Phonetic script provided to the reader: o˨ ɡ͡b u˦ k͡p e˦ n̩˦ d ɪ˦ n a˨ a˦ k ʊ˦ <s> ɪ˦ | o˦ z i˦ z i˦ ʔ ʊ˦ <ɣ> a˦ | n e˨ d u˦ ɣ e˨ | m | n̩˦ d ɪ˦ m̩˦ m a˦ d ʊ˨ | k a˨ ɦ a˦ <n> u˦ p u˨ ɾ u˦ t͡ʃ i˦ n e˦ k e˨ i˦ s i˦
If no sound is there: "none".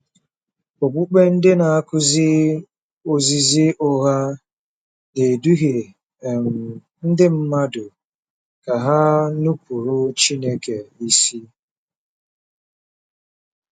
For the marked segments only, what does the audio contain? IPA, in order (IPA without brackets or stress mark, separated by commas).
z, ɣ, n